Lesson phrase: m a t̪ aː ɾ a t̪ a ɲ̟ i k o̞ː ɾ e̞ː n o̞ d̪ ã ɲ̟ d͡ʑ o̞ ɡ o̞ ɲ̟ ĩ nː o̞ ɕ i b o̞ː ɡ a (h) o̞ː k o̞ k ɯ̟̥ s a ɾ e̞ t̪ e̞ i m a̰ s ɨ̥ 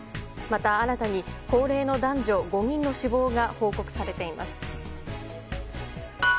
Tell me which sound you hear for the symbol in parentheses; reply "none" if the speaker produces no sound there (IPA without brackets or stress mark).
h